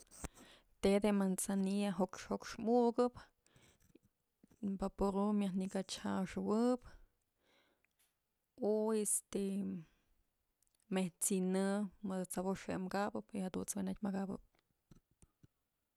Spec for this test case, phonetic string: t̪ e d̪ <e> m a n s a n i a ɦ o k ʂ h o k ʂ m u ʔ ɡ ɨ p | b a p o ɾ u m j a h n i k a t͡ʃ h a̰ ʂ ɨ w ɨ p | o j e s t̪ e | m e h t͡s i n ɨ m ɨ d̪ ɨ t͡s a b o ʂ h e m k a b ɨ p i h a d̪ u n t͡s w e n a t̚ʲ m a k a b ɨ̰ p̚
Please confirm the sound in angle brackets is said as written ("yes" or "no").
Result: yes